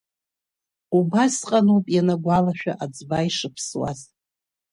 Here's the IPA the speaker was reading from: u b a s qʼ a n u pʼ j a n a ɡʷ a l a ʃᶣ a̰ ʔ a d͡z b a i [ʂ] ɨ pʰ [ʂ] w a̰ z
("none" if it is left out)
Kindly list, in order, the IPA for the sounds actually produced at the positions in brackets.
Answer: ʂ, s

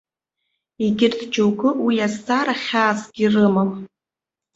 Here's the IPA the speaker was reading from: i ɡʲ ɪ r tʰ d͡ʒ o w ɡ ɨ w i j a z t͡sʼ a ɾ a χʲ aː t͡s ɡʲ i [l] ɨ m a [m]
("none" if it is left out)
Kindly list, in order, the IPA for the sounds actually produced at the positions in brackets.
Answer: r, m

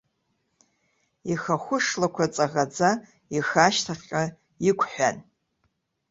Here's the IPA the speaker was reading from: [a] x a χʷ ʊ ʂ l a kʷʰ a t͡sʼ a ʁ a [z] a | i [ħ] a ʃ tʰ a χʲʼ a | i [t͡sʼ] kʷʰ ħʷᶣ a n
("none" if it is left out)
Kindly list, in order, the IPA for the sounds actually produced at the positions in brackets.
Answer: i, d͡z, x, none

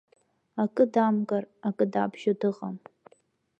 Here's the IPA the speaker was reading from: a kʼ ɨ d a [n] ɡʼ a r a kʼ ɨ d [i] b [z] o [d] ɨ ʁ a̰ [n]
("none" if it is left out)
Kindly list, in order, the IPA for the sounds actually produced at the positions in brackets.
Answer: m, a, ʒ, d, m

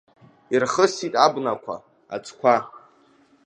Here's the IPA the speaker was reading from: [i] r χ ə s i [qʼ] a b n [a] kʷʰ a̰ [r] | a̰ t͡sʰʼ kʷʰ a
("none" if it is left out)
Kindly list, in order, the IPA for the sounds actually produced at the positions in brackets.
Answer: i, tʼ, a, none

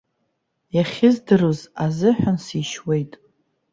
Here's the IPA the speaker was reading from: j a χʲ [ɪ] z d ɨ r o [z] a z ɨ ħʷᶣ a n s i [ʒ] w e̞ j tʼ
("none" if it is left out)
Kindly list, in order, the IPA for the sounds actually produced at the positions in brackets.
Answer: ɪ, z, ʃ

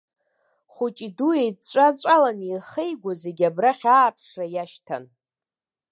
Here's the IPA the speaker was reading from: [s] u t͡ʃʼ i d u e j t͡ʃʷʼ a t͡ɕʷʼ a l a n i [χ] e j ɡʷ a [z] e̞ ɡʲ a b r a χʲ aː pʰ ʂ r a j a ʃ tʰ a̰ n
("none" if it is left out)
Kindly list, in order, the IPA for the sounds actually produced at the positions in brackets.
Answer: χ, χ, z

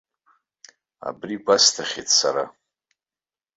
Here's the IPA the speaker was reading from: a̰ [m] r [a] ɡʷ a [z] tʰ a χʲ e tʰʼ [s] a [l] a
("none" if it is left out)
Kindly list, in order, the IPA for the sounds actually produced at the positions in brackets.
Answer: b, i, s, s, ɾ

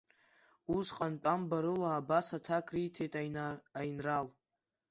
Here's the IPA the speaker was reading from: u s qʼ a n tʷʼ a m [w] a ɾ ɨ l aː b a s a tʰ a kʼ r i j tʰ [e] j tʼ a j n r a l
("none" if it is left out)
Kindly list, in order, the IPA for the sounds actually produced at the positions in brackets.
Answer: b, e

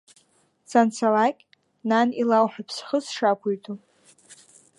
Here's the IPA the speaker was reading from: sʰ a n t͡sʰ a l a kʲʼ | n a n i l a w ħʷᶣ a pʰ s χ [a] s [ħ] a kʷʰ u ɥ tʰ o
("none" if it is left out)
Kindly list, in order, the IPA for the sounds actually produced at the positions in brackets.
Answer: ə, ʂ

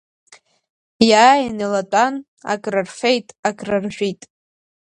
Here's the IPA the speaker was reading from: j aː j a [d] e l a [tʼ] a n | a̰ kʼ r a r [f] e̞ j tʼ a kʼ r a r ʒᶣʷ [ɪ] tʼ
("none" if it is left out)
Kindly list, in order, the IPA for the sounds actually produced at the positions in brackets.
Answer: n, tʼ, f, i

